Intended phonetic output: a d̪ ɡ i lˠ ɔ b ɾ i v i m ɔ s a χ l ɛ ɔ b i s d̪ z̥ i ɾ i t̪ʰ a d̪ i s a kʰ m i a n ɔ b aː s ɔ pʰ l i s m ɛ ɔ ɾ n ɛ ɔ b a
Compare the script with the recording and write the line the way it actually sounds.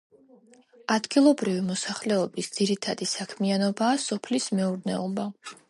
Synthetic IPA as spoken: a d̪ ɡ i lˠ ɔ b ɾ i v i m ɔ s a χ l ɛ ɔ b i s d̪ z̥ i ɾ i t̪ʰ a d̪ i s a kʰ m i a n ɔ b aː s ɔ pʰ l i s m ɛ u ɾ n ɛ ɔ b a